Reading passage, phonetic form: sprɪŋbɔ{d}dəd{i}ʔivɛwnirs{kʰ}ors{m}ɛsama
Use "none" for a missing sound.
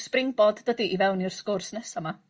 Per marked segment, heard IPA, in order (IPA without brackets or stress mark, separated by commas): d, i, k, n